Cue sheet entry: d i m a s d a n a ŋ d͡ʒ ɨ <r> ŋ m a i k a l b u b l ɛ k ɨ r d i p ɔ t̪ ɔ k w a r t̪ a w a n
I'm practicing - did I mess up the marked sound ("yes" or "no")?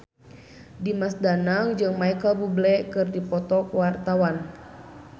yes